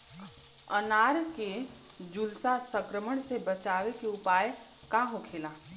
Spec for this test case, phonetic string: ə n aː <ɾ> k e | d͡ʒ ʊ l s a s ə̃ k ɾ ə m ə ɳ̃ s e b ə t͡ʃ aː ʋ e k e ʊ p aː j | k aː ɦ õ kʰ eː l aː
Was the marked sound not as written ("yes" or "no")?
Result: no